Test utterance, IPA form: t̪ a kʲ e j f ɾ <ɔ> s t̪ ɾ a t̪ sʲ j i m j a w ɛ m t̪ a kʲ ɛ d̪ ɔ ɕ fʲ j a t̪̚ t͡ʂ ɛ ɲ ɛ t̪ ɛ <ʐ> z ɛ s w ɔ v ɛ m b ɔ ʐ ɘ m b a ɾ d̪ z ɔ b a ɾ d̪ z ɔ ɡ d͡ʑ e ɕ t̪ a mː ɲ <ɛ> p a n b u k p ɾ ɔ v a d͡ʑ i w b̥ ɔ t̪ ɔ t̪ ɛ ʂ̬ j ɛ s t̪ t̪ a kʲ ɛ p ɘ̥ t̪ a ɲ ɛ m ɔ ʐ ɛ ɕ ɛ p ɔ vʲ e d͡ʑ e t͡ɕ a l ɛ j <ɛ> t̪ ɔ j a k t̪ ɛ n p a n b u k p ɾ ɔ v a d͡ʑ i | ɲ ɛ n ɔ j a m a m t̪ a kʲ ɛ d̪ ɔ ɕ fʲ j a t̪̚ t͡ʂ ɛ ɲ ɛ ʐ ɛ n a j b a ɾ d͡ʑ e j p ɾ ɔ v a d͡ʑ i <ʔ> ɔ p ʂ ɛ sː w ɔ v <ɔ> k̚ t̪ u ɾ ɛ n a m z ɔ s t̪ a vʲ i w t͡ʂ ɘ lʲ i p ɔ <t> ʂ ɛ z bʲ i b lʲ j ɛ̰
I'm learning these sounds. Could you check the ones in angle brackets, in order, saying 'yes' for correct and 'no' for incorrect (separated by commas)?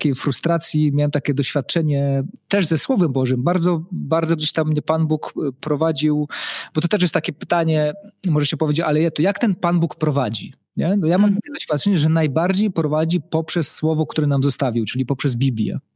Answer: no, yes, yes, yes, no, yes, no